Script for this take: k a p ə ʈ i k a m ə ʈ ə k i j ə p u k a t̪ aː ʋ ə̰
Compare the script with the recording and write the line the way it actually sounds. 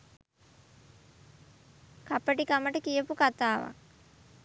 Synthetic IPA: k a p ə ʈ i k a m ə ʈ ə k i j ə p u k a t̪ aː ʋ a̰